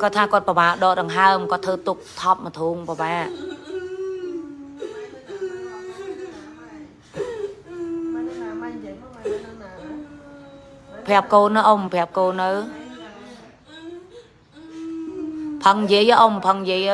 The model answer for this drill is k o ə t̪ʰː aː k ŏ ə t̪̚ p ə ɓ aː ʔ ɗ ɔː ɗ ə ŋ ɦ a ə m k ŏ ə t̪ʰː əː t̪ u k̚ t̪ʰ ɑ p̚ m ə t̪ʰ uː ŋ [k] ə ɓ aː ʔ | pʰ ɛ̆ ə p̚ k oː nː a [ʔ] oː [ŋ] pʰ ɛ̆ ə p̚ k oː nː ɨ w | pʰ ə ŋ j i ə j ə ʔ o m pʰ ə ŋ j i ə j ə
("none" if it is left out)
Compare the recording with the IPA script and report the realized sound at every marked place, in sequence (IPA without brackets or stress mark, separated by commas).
p, ʔ, m